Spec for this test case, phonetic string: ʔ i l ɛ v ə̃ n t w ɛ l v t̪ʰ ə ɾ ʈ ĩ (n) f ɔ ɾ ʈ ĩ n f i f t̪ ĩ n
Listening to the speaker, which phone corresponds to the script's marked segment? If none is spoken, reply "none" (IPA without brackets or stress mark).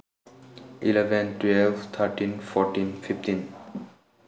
n